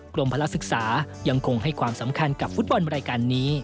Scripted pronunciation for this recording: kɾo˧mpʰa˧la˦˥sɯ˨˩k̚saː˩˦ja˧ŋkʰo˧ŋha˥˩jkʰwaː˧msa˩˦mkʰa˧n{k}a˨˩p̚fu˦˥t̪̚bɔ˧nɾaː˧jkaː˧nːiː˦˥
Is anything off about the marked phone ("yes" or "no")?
no